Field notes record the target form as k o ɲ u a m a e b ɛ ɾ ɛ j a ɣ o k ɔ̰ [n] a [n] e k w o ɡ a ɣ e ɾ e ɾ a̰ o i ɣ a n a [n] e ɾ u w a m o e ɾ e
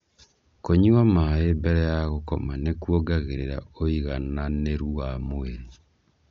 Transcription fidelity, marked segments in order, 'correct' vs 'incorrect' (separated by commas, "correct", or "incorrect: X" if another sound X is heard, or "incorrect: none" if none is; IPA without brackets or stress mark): incorrect: m, correct, correct